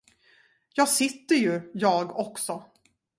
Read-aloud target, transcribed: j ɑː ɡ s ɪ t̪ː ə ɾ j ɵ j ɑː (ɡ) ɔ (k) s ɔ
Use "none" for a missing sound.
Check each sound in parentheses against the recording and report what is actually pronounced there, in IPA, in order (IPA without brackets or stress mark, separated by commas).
ɡ, k